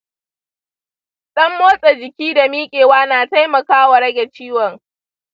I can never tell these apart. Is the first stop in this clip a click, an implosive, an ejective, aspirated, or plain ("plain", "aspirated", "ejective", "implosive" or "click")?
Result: implosive